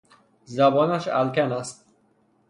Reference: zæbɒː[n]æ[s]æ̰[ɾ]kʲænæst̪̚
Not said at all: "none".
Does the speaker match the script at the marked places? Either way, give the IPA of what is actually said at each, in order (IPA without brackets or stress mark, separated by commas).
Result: n, ʃ, l